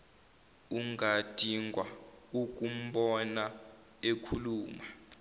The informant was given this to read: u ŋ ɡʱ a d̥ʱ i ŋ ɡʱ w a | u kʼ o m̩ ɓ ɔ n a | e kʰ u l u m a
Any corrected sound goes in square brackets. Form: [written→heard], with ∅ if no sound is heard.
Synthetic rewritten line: u ŋ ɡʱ a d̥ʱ i ŋ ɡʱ w a | u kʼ [o→u] m̩ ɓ ɔ n a | e kʰ u l [u→uː] m a